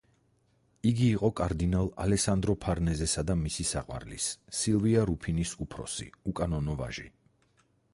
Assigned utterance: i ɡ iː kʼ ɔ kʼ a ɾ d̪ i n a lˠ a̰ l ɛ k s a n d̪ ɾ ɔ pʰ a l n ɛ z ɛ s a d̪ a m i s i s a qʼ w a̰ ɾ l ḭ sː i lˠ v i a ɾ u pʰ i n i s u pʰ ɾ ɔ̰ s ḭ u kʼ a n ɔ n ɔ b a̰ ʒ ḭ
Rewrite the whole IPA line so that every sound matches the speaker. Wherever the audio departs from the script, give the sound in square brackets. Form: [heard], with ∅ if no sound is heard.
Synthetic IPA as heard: i ɡ iː [qʼ] ɔ kʼ a ɾ d̪ i n a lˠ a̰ l ɛ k s a n d̪ ɾ ɔ pʰ a [ɾ] n ɛ z ɛ s a d̪ a m i s i s a qʼ w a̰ ɾ l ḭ sː i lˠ v i a ɾ u pʰ i n i s u pʰ ɾ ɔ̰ s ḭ u kʼ a n ɔ n ɔ [v] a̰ ʒ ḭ

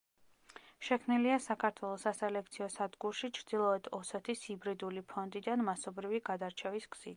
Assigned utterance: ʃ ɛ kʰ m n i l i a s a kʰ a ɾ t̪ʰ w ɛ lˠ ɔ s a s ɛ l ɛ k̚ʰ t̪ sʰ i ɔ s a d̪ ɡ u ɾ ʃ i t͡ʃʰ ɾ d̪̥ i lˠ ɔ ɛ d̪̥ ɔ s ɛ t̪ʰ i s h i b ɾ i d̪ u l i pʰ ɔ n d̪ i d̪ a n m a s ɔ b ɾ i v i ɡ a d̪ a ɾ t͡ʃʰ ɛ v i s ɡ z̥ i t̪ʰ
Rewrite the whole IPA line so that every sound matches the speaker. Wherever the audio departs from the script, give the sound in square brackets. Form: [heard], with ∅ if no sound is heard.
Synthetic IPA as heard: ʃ ɛ kʰ m n i l i a s a kʰ a ɾ t̪ʰ w ɛ lˠ ɔ s a s ɛ l ɛ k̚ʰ t̪ sʰ i ɔ s a d̪ ɡ u ɾ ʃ i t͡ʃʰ ɾ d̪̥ i lˠ ɔ ɛ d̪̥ ɔ s ɛ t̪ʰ i s h i b ɾ i d̪ u l i pʰ ɔ n d̪ i d̪ a n m a s ɔ b ɾ i v i ɡ a d̪ a ɾ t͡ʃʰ ɛ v i s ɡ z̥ i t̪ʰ

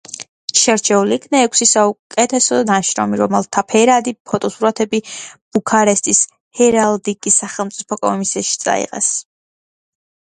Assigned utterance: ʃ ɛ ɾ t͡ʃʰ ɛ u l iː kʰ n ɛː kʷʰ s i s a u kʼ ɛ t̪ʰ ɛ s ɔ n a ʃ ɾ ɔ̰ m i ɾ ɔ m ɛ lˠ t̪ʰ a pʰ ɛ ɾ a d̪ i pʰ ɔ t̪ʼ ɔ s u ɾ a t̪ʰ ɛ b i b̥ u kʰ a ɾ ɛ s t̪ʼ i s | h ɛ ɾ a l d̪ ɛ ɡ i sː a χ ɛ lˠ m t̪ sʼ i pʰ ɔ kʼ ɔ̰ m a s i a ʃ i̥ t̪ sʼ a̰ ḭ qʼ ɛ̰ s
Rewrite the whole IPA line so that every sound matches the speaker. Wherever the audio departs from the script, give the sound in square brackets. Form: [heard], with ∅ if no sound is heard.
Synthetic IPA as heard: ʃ ɛ ɾ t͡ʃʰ ɛ u l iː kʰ n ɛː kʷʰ s i s a u kʼ ɛ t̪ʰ ɛ s ɔ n a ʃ ɾ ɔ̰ m i ɾ ɔ m ɛ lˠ t̪ʰ a pʰ ɛ ɾ a d̪ i pʰ ɔ t̪ʼ ɔ s u ɾ a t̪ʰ ɛ b i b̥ u kʰ a ɾ ɛ s t̪ʼ i s | h ɛ ɾ a l d̪ [i] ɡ i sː a χ ɛ lˠ m t̪ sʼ i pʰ ɔ kʼ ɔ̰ m [i] s i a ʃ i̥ t̪ sʼ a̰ ḭ qʼ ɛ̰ s

